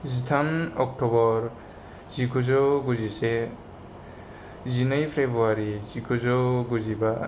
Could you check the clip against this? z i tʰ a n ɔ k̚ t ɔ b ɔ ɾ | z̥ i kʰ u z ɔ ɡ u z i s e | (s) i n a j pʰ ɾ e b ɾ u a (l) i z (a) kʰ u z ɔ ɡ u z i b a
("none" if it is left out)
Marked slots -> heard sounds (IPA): z, ɾ, i

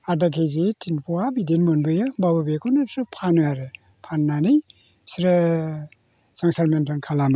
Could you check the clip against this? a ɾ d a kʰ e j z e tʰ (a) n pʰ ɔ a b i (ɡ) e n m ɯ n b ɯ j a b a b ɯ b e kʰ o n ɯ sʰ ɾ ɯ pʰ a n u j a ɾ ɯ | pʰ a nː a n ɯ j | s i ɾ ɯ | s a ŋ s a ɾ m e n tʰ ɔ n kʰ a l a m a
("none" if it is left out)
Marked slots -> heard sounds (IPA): i, d

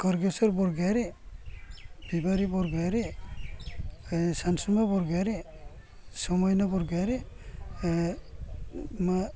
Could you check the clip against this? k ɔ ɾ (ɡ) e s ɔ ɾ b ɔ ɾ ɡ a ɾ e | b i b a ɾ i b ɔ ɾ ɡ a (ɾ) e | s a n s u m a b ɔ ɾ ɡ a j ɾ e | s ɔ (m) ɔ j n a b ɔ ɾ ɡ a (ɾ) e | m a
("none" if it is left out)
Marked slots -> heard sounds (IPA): ɡ, ɾ, m, ɾ

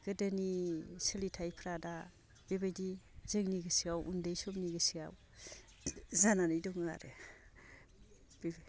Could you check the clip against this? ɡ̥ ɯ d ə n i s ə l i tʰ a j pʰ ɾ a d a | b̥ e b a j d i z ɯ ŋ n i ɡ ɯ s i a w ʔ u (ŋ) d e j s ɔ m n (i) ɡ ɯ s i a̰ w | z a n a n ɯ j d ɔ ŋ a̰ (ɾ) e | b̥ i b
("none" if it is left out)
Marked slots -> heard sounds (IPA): n, i, ɾ

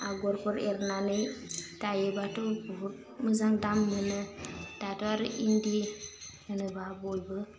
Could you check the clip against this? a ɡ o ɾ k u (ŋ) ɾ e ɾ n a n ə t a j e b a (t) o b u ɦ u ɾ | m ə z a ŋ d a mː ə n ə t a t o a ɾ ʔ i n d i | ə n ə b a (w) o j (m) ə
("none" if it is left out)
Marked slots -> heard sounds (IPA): none, t, b, b

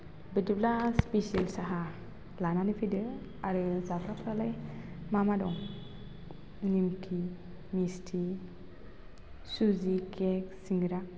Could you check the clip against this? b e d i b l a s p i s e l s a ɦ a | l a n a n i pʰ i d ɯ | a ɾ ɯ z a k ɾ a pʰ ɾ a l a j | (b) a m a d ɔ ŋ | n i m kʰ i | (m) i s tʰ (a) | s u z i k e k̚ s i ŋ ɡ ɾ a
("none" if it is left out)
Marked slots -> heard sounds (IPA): m, m, i

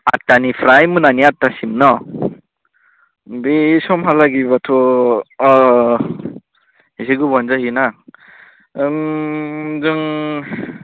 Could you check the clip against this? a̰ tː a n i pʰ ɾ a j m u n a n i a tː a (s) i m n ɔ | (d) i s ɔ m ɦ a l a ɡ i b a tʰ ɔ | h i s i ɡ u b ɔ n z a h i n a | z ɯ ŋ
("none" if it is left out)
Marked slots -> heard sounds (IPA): s, b

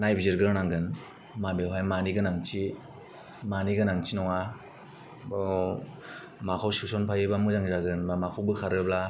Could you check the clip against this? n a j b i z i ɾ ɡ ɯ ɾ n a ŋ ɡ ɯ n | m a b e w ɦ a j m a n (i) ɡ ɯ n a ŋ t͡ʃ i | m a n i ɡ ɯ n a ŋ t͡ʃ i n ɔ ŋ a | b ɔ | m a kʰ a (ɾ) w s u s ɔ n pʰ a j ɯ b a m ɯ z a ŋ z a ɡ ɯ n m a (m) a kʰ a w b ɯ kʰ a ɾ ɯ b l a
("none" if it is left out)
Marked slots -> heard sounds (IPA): i, none, m

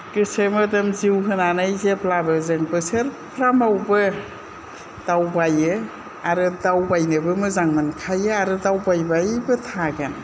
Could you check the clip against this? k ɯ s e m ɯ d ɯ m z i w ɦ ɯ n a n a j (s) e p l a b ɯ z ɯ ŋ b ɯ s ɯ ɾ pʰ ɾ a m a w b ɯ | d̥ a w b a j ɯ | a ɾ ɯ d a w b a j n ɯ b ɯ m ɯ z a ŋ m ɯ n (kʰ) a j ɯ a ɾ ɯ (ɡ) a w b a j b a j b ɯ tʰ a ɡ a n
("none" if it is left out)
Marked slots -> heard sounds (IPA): z, kʰ, d

